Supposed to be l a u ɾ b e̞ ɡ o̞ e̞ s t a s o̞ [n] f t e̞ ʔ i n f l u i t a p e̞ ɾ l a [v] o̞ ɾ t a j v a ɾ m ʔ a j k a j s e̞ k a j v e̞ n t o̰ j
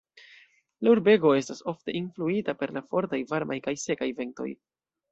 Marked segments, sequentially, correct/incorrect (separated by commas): incorrect, incorrect